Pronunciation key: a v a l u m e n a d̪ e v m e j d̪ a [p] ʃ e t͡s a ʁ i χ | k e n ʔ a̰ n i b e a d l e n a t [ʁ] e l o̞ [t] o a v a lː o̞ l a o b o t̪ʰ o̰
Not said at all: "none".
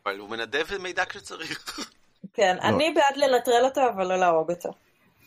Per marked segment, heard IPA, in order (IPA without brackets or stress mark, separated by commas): k, ʁ, t